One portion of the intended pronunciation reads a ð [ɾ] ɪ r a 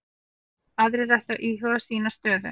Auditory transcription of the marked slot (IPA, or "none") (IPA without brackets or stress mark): ɾ